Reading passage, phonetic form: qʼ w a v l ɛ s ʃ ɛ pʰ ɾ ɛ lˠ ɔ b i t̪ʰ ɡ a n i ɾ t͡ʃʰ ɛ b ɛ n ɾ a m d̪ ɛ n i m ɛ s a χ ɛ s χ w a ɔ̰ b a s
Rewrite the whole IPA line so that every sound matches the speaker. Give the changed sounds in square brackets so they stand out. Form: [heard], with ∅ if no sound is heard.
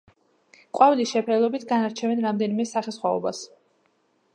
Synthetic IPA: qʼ w a v l [i] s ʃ ɛ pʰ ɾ ɛ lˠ ɔ b i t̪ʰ ɡ a n [a] ɾ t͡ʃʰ ɛ [v] ɛ n ɾ a m d̪ ɛ n i m ɛ s a χ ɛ s χ w a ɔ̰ b a s